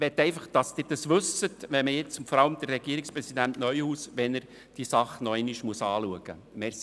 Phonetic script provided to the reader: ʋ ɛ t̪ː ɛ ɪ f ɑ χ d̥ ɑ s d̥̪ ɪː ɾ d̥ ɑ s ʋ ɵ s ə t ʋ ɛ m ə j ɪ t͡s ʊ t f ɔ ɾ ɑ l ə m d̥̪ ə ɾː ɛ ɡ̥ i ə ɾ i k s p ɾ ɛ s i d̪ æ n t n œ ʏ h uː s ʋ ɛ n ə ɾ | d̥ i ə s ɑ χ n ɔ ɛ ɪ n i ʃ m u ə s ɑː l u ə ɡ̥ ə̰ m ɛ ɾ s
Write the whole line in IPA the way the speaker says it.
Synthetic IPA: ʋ ɛ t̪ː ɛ ɪ f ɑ χ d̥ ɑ s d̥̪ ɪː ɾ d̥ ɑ s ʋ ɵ s ə t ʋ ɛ m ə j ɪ t͡s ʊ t f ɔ ɾ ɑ l ə m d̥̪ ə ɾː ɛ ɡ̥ i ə ɾ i k s p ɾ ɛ s i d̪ æ n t n œ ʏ h uː s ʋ ɛ n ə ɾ | d̥ i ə s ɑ χ n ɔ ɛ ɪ n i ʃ m u ə s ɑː l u ə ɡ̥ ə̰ m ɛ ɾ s